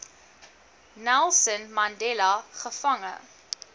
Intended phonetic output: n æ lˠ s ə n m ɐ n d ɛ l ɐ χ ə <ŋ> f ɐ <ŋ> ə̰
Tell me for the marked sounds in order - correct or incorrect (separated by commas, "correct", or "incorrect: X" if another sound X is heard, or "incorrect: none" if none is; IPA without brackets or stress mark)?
incorrect: none, correct